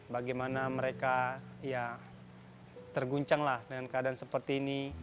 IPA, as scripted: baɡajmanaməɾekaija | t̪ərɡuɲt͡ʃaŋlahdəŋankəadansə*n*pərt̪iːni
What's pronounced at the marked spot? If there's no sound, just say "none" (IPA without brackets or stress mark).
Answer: none